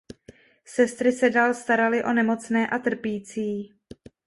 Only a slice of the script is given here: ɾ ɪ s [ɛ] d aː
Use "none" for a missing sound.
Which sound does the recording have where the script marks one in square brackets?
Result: ɛ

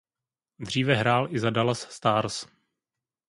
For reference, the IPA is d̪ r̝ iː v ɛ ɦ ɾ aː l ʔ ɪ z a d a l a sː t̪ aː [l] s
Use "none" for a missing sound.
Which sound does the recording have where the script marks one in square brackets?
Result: ɾ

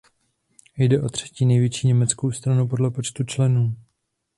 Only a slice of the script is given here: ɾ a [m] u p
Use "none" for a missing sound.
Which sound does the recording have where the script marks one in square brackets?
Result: n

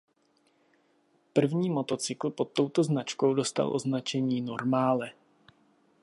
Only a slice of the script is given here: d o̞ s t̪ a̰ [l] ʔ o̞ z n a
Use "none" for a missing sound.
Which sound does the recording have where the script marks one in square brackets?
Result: l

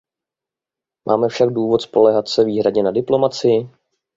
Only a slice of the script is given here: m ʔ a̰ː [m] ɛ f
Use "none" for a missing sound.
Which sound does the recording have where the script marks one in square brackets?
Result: m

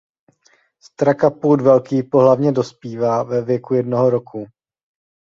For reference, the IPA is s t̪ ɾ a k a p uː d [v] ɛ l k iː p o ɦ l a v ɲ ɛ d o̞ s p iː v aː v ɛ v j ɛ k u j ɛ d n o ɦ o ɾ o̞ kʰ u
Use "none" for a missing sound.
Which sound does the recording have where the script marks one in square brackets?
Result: v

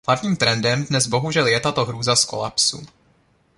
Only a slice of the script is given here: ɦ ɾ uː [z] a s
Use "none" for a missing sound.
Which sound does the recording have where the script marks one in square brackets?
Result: z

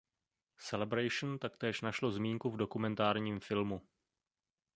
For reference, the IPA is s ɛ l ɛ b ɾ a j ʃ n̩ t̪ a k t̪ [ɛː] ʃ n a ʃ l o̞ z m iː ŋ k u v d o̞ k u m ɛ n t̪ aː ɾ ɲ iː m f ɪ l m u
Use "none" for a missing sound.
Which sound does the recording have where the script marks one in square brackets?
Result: ɛː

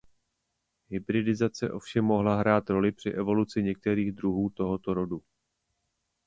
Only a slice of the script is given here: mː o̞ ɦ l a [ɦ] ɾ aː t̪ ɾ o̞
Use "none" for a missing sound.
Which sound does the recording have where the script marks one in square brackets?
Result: ɦ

